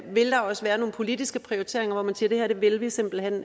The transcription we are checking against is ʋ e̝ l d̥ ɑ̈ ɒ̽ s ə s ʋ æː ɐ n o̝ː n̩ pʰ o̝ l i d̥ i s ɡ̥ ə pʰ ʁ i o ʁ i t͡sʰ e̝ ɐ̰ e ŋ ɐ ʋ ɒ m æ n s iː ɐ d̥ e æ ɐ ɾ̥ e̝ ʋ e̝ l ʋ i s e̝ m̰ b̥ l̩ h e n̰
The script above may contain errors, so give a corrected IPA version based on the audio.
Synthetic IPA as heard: ʋ e̝ l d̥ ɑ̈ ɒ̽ s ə ʋ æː ɐ n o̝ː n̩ pʰ o̝ l i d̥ i s ɡ̥ ə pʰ ʁ i o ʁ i t͡sʰ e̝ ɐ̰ e ŋ ɐ ʋ ɒ m æ n s iː ɐ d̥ e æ ɐ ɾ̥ e̝ ʋ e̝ l ʋ i s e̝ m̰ b̥ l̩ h e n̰